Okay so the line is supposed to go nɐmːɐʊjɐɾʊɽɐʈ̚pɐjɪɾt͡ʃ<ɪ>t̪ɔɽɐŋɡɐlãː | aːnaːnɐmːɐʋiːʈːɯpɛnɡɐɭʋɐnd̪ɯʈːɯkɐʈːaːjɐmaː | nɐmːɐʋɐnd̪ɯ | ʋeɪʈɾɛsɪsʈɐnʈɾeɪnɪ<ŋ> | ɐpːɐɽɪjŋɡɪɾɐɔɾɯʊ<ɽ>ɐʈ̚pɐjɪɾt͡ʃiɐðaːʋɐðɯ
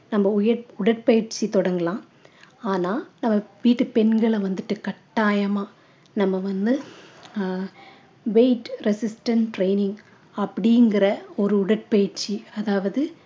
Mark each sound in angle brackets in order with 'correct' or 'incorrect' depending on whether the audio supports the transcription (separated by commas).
incorrect, correct, correct